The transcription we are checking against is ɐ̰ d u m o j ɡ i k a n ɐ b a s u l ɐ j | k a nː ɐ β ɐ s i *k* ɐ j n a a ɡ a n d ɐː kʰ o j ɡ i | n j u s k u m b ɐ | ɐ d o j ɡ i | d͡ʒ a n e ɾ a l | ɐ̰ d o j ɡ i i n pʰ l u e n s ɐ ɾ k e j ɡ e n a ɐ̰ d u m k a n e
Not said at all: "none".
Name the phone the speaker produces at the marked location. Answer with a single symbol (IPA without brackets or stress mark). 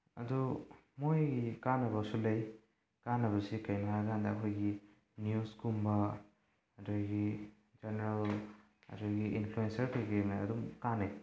k